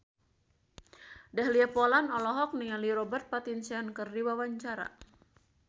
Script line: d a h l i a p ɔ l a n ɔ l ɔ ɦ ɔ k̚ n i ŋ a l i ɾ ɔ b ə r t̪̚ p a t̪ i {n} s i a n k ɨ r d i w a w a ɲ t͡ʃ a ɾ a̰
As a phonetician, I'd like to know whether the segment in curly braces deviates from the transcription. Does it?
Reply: no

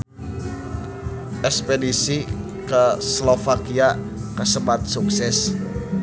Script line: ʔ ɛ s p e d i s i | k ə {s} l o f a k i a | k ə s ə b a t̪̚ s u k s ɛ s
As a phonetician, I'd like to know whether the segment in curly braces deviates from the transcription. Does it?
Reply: no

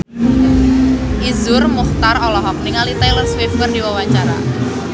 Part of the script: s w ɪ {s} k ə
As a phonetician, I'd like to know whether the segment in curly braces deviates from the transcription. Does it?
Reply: yes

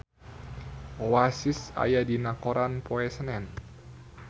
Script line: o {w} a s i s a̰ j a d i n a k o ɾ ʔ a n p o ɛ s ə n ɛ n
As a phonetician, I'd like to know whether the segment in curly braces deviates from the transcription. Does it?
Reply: no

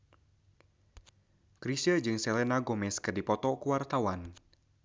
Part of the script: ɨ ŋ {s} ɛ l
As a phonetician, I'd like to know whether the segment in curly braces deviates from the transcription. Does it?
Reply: no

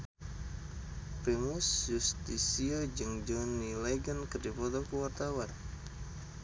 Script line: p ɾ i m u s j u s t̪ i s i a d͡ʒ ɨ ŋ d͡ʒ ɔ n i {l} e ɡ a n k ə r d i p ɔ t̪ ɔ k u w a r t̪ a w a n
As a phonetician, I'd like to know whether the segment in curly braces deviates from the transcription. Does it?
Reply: no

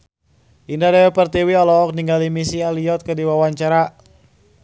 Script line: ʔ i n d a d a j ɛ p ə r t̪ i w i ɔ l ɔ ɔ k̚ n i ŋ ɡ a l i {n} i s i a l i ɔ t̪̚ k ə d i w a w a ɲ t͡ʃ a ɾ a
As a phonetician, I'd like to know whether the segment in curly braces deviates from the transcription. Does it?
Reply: yes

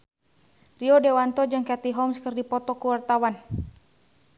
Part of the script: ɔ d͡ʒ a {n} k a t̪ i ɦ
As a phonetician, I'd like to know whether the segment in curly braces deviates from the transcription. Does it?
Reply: yes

